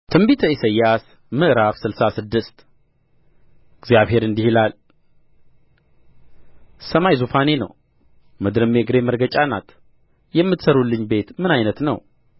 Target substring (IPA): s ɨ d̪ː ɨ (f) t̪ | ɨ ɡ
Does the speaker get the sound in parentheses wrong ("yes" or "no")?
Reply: yes